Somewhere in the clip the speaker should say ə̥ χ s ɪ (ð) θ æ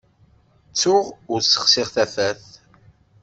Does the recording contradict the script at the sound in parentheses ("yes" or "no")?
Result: yes